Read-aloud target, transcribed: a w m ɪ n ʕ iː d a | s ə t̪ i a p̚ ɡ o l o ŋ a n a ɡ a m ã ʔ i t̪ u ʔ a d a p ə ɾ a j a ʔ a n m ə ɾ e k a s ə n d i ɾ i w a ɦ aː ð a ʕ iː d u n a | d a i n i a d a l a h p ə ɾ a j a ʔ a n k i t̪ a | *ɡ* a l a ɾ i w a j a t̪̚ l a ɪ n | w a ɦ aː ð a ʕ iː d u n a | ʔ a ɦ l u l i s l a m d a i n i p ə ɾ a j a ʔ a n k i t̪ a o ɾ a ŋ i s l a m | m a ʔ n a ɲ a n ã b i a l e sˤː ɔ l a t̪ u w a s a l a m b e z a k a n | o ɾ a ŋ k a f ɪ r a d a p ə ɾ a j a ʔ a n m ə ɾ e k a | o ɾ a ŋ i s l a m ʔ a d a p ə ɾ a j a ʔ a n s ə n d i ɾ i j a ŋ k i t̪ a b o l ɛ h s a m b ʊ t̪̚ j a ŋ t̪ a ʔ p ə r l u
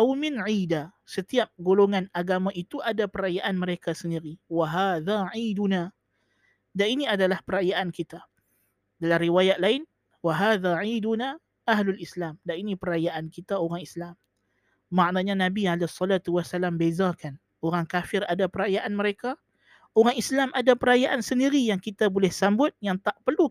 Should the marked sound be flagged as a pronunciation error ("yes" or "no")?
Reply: yes